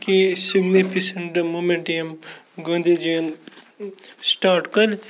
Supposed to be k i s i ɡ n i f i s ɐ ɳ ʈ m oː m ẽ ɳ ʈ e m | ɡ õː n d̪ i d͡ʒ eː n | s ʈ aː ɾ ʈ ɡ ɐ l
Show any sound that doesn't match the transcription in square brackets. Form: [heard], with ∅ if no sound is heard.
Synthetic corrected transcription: k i s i ɡ n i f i s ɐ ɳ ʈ m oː m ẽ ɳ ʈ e m | ɡ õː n d̪ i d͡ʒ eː n | s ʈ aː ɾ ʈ [k] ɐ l